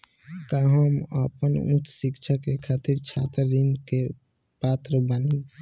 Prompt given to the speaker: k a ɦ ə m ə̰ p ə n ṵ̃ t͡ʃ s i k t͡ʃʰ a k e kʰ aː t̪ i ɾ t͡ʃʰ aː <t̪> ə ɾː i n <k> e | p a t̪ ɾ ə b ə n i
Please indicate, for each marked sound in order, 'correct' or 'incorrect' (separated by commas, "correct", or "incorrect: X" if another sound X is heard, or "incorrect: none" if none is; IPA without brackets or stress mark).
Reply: correct, correct